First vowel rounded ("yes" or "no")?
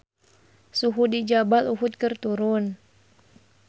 yes